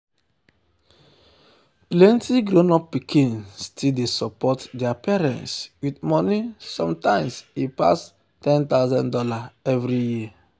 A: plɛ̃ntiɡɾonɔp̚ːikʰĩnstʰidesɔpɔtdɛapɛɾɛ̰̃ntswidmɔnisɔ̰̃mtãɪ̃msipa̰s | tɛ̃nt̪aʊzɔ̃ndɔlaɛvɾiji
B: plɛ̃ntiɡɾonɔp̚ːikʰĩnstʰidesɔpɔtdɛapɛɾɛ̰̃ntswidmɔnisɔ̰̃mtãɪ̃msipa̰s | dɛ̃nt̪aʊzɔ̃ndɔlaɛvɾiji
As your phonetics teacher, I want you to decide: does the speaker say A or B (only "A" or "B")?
A